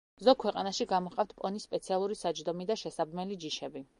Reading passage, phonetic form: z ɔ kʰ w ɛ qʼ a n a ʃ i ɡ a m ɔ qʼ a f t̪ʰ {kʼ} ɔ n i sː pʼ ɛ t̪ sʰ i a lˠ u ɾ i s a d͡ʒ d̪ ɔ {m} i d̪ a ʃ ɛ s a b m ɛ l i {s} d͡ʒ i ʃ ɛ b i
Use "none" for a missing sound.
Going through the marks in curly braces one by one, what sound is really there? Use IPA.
pʼ, m, none

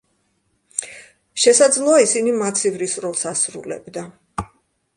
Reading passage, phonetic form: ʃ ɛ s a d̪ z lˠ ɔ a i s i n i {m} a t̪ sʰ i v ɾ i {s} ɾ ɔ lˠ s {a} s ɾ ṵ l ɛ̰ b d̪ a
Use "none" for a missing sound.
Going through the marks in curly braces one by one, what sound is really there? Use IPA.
m, s, a

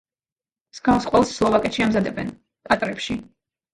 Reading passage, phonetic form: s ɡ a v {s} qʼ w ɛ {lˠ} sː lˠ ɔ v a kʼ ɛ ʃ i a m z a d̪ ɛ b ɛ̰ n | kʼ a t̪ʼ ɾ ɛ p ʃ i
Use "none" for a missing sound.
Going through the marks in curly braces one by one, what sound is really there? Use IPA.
s, lˠ

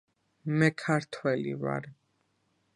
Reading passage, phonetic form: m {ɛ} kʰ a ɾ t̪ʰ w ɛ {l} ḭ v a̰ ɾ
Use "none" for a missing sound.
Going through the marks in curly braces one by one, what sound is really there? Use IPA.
ɛ, l

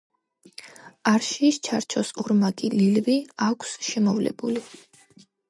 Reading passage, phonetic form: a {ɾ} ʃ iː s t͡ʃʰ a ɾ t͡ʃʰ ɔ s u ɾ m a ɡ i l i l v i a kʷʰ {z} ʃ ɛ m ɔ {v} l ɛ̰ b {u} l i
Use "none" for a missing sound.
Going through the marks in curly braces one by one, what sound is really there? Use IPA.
ɾ, s, v, u

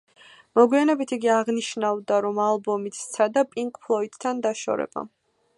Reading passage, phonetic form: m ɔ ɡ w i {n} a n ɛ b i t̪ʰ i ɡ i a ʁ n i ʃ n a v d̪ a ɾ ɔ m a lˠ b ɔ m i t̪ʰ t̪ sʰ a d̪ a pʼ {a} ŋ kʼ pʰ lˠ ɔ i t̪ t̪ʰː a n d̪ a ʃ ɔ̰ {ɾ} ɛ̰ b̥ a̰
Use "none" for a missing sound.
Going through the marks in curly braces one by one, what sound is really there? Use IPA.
none, i, ɾ

